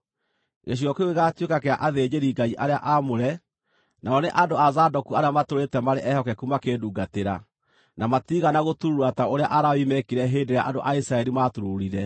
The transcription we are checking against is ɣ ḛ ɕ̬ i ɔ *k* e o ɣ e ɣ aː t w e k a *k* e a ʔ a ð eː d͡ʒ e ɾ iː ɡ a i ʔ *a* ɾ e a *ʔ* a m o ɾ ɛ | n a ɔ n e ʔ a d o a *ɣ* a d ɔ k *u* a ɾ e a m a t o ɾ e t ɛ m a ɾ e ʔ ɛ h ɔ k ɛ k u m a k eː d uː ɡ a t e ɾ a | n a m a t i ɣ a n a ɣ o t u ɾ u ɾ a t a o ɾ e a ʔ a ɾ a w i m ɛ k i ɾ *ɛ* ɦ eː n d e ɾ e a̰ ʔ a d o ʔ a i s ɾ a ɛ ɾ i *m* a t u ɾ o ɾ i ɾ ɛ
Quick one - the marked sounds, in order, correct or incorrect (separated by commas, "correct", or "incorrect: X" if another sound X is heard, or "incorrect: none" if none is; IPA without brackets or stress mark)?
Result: correct, correct, correct, correct, incorrect: z, correct, correct, correct